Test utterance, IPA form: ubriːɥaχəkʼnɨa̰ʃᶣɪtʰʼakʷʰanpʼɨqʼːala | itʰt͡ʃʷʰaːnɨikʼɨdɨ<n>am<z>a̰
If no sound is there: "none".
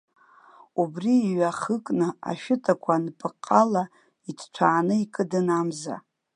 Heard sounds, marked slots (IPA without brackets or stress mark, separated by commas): n, z